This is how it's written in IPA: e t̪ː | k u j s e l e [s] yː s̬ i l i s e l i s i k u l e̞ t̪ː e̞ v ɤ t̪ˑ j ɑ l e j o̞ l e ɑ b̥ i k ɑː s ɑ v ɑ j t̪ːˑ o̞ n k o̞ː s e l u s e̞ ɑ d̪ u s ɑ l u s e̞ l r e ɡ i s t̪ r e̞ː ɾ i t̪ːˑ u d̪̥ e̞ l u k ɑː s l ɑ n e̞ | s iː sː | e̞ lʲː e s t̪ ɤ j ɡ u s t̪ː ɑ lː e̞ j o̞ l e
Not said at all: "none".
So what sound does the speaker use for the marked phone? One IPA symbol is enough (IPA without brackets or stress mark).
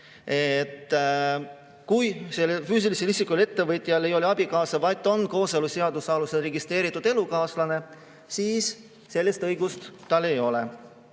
f